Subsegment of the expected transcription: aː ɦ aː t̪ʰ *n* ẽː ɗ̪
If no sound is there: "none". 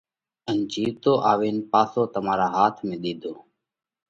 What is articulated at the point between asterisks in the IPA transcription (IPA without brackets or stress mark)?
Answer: m